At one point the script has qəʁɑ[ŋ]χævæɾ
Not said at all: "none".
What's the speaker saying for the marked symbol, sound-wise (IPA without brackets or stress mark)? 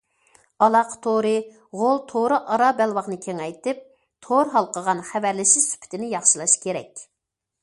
n